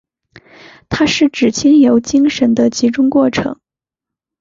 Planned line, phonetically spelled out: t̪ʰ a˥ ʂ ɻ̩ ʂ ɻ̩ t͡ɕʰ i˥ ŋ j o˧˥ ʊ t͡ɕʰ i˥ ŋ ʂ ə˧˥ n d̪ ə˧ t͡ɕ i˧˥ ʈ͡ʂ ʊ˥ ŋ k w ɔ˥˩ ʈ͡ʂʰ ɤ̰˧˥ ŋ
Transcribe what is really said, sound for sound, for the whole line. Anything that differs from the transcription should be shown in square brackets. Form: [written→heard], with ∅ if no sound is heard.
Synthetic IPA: t̪ʰ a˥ ʂ ɻ̩ [ʂ→ʈ͡ʂ] ɻ̩ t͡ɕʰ i˥ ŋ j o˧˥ ʊ [t͡ɕʰ→t͡ɕ] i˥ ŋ ʂ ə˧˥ n d̪ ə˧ t͡ɕ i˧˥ ʈ͡ʂ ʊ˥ ŋ k w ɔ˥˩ ʈ͡ʂʰ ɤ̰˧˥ ŋ